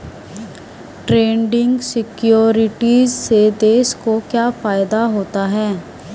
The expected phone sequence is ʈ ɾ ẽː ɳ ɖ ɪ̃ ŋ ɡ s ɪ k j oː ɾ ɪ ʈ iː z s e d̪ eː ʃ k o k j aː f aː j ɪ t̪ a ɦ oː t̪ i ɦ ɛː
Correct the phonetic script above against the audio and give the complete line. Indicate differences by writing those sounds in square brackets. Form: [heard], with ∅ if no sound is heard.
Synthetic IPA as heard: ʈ ɾ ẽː ɳ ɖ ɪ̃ ŋ ɡ s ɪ k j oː ɾ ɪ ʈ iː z s e d̪ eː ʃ k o k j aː f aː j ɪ [d̪] a ɦ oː t̪ [a] ɦ ɛː